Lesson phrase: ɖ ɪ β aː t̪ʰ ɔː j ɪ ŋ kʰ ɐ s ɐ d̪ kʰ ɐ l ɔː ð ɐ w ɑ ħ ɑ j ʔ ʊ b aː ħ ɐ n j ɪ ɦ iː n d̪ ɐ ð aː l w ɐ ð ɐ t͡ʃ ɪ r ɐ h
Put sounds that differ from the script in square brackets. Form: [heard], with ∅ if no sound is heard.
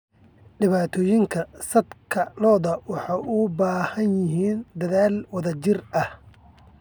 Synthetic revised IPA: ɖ ɪ β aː t̪ʰ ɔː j ɪ ŋ kʰ ɐ s ɐ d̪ kʰ ɐ l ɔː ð ɐ w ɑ ħ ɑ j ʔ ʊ b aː [h] ɐ n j ɪ ɦ iː n d̪ ɐ ð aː l w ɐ ð ɐ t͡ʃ ɪ r ɐ h